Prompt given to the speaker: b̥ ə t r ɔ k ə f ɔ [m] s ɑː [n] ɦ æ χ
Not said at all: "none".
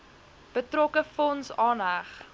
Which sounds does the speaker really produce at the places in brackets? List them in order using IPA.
n, n

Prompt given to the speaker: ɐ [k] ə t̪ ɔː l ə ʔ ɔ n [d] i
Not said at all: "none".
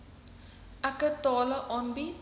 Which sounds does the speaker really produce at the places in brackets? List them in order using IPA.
k, b

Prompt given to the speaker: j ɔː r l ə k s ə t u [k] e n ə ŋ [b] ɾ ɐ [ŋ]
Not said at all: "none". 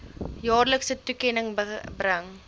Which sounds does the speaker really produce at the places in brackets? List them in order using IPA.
k, b, ŋ

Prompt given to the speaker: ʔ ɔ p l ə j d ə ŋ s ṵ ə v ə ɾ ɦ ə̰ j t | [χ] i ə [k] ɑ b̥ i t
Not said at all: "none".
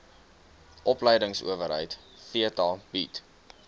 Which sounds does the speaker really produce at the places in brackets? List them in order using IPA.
f, t

